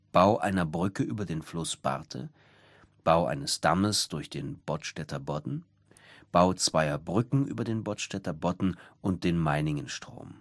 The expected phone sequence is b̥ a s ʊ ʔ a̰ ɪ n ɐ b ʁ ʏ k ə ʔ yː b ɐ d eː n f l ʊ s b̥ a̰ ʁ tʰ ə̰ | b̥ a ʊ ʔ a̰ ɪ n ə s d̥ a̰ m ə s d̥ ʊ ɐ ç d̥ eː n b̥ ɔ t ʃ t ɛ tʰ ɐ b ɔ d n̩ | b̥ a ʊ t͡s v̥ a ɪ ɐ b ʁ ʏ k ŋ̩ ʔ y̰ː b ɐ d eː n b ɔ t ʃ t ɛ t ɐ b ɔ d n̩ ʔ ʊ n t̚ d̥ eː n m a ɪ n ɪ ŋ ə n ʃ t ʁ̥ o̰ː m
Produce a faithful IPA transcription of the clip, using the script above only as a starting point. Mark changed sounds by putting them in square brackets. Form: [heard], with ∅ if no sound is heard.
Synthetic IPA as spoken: b̥ a [∅] ʊ ʔ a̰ ɪ n ɐ b ʁ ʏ k ə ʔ yː b ɐ d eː n f l ʊ s b̥ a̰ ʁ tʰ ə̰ | b̥ a ʊ ʔ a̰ ɪ n ə s d̥ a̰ m ə s d̥ ʊ ɐ ç d̥ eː n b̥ ɔ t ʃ t ɛ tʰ ɐ b ɔ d n̩ | b̥ a ʊ t͡s v̥ a ɪ ɐ b ʁ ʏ k ŋ̩ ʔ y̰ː b ɐ d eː n b ɔ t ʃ t ɛ t ɐ b ɔ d n̩ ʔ ʊ n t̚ d̥ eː n m a ɪ n ɪ ŋ ə n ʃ t ʁ̥ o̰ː m